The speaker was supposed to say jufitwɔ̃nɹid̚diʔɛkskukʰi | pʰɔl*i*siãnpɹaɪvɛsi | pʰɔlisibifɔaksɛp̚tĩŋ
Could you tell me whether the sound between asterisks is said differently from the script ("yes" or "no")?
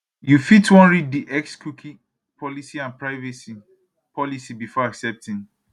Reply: no